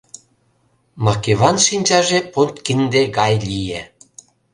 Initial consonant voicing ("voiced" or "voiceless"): voiced